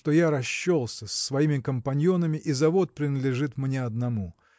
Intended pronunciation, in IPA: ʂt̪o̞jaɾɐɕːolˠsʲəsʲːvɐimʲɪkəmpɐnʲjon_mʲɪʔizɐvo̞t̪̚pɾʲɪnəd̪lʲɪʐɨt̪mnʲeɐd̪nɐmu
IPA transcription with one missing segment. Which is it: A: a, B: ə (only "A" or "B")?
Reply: B